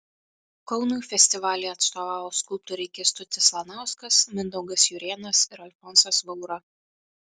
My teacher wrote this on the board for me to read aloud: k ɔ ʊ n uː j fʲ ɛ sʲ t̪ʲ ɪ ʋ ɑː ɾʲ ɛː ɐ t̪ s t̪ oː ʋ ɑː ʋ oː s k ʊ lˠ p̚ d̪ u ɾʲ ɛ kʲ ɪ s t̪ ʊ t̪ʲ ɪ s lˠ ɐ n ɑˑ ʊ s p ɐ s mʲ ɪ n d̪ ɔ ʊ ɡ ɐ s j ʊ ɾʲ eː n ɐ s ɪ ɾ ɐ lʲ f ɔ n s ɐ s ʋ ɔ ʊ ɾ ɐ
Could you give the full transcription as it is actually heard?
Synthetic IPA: k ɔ ʊ n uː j fʲ ɛ sʲ t̪ʲ ɪ ʋ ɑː lʲ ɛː ɐ t̪ s t̪ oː ʋ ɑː ʋ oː s k ʊ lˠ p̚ t̪ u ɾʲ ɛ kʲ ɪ s t̪ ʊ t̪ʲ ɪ s lˠ ɐ n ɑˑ ʊ s k ɐ s mʲ ɪ n d̪ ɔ ʊ ɡ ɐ s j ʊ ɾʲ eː n ɐ s ɪ ɾ ɐ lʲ f ɔ n s ɐ s ʋ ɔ ʊ ɾ ɐ

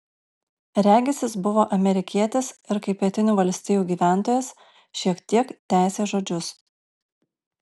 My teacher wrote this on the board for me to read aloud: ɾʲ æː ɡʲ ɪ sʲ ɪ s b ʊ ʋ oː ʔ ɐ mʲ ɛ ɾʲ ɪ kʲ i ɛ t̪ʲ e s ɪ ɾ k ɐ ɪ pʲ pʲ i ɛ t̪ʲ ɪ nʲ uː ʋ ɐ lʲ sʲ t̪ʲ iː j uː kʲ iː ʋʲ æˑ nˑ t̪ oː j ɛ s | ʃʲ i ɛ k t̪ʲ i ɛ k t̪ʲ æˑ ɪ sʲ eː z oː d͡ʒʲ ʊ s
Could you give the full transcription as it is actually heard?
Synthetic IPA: ɾʲ æː ɡʲ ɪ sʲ ɪ s b ʊ ʋ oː ʔ ɐ mʲ ɛ ɾʲ ɪ kʲ i ɛ t̪ʲ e s ɪ ɾ k ɐ ɪ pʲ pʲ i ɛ t̪ʲ ɪ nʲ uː ʋ ɐ lʲ sʲ t̪ʲ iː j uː ɡʲ iː ʋʲ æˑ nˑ t̪ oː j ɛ s | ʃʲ i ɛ k t̪ʲ i ɛ k t̪ʲ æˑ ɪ sʲ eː ʒ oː d͡ʒʲ ʊ s

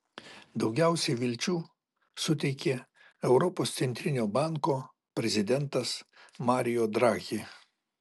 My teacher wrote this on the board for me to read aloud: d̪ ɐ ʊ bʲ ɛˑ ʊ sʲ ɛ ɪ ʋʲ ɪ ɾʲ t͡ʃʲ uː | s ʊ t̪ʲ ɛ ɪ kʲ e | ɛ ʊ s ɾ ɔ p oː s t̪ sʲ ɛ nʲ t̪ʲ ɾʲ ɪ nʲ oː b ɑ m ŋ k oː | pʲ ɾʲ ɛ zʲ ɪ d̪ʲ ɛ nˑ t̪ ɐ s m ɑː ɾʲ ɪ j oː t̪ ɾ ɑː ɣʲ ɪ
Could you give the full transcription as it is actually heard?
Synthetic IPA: d̪ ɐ ʊ ɡʲ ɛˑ ʊ sʲ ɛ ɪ ʋʲ ɪ lʲ t͡ʃʲ uː | s ʊ t̪ʲ ɛ ɪ kʲ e | ɛ ʊ ɾ ɔ p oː s t̪ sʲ ɛ nʲ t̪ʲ ɾʲ ɪ nʲ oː b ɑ ŋ k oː | pʲ ɾʲ ɛ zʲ ɪ d̪ʲ ɛ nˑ t̪ ɐ s m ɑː ɾʲ ɪ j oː d̪ ɾ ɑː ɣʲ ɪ

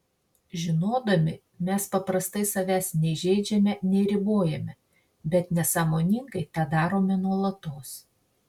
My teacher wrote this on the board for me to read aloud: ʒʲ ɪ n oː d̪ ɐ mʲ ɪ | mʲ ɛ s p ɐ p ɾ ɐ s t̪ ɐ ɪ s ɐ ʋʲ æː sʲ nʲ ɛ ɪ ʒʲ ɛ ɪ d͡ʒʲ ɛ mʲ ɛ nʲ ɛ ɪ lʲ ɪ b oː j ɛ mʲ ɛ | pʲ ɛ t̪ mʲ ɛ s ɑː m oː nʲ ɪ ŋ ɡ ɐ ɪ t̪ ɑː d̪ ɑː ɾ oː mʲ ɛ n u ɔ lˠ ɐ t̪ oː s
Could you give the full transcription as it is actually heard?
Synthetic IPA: ʒʲ ɪ n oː d̪ ɐ mʲ ɪ | mʲ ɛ s p ɐ p ɾ ɐ s t̪ ɐ ɪ s ɐ ʋʲ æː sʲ nʲ ɛ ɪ ʒʲ ɛ ɪ d͡ʒʲ ɛ mʲ ɛ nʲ ɛ ɪ ɾʲ ɪ b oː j ɛ mʲ ɛ | bʲ ɛ t̪ nʲ ɛ s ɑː m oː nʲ ɪ ŋ ɡ ɐ ɪ t̪ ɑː d̪ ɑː ɾ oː mʲ ɛ n u ɔ lˠ ɐ t̪ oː s

